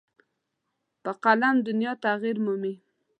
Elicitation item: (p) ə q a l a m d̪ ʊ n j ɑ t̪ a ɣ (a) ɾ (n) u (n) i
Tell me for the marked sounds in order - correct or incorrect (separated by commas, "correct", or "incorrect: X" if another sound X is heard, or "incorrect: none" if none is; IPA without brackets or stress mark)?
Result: correct, incorrect: i, incorrect: m, incorrect: m